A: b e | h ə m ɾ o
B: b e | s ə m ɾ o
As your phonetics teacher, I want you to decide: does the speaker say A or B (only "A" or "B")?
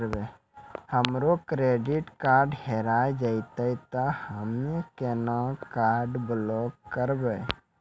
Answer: A